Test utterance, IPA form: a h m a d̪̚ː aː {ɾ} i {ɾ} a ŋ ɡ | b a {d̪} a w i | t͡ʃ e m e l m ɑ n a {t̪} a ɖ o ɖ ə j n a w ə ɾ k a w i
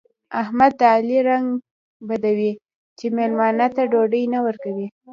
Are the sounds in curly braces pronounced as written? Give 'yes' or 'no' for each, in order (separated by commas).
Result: no, yes, yes, yes